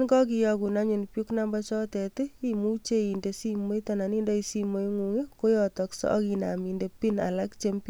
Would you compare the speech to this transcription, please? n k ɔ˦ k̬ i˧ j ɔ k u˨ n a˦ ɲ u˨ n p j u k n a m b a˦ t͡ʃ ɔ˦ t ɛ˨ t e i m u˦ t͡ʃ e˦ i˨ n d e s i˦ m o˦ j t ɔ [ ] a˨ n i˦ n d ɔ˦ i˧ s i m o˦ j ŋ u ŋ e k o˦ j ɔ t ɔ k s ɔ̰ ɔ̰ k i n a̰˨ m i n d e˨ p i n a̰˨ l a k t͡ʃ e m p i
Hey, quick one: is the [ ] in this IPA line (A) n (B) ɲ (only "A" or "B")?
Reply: A